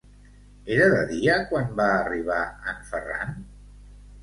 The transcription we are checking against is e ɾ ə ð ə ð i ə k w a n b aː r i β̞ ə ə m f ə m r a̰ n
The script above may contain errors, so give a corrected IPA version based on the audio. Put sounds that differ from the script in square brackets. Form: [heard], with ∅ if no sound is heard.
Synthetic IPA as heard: e ɾ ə ð ə ð i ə k w a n b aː r i β̞ [a] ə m f ə [∅] r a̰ n